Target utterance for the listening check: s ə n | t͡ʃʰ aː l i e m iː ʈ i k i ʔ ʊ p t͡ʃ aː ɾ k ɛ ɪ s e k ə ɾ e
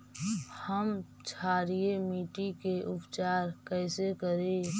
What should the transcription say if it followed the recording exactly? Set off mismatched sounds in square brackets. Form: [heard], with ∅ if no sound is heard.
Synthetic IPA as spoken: [h] ə [m] | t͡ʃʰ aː [ɾ] i e m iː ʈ i k [e] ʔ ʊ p t͡ʃ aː ɾ k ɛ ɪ s e k ə ɾ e